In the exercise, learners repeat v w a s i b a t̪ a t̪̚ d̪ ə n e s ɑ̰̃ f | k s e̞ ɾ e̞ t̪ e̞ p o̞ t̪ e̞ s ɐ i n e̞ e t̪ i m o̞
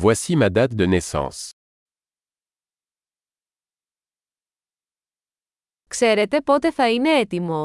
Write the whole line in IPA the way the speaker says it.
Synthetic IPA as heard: v w a s i m a d̪ a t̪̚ d̪ ə n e s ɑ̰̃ s | k s e̞ ɾ e̞ t̪ e̞ p o̞ t̪ e̞ θ ɐ i n e̞ e t̪ i m o̞